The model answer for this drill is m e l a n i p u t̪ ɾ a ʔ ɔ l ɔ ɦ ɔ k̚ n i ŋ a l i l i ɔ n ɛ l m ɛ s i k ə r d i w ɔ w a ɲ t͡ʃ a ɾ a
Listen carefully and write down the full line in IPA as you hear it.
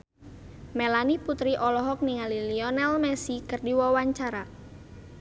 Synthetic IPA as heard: m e l a n i p u t̪ ɾ i ʔ ɔ l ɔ ɦ ɔ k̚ n i ŋ a l i l i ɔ n ɛ l m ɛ s i k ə r d i w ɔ w a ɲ t͡ʃ a ɾ a